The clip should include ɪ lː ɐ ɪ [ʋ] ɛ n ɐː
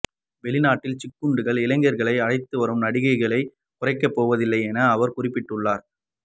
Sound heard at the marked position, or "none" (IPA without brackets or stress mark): none